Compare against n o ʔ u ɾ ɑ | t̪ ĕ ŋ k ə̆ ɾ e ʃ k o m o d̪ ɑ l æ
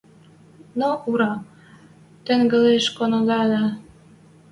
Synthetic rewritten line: n o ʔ u ɾ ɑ | t̪ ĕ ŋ ɡ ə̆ l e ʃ k o n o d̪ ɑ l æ